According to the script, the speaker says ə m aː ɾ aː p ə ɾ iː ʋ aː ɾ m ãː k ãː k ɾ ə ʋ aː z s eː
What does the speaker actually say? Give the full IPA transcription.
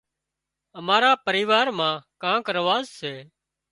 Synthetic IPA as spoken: ə m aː ɾ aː p ə ɾ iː ʋ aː ɾ m ãː k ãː k ɾ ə ʋ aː z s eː